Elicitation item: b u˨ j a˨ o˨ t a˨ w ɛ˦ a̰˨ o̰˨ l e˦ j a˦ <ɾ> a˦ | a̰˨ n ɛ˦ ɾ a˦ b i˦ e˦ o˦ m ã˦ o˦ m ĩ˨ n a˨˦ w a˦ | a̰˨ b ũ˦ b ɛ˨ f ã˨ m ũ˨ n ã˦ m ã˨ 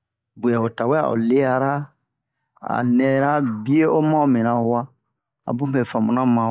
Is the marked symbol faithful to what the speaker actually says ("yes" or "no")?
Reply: yes